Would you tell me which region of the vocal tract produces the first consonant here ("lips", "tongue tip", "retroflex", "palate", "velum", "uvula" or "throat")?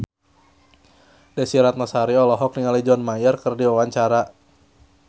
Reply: tongue tip